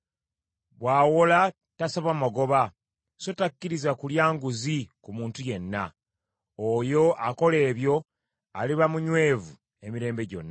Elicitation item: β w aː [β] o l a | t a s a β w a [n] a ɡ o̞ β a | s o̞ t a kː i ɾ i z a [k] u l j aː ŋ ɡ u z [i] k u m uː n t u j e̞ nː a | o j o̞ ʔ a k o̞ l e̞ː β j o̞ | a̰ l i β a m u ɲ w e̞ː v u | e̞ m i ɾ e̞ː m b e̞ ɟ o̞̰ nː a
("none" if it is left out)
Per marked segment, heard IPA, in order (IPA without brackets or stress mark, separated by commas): w, m, k, i